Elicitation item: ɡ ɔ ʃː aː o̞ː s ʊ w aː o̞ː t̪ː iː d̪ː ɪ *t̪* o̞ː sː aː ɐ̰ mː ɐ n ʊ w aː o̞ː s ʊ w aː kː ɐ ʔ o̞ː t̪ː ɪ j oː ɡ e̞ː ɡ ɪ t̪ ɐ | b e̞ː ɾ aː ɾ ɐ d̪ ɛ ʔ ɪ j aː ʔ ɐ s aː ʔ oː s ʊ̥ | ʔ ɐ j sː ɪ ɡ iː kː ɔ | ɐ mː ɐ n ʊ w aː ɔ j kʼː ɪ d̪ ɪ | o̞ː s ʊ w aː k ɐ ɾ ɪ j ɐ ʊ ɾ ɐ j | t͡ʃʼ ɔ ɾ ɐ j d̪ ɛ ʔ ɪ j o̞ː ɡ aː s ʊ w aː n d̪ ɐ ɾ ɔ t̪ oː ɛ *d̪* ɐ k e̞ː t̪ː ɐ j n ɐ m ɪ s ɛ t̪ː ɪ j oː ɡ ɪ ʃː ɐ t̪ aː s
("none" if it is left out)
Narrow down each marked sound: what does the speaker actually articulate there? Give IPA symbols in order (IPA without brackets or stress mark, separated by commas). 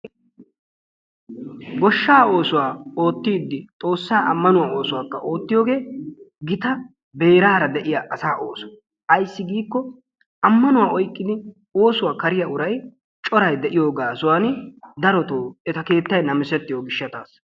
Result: t̪ʼ, t̪